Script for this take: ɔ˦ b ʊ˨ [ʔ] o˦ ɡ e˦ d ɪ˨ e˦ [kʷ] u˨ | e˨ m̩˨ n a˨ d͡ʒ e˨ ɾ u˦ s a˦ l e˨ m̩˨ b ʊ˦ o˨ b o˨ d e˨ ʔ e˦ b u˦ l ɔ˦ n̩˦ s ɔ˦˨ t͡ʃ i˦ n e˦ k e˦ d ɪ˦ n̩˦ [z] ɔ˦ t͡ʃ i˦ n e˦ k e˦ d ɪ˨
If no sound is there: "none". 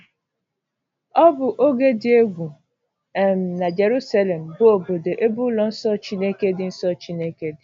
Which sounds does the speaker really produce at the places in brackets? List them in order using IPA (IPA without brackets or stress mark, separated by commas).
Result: ʔ, ɡʷ, s